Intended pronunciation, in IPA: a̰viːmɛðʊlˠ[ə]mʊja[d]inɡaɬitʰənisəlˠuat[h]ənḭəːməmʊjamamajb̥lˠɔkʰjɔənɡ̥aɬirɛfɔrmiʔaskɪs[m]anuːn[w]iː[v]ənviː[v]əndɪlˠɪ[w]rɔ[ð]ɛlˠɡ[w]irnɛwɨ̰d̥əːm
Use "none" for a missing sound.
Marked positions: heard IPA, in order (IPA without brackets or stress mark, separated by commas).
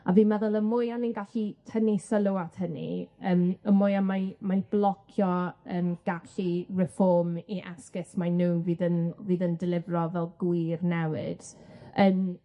ə, n, h, m, v, ð, ð, v, v, w